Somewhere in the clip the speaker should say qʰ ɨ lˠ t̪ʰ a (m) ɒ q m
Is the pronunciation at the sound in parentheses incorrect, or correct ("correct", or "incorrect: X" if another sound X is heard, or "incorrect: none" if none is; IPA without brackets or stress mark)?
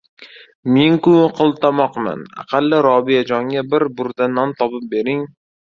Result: correct